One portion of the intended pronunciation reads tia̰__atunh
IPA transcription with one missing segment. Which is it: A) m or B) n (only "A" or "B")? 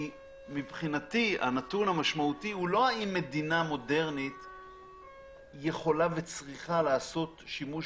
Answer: B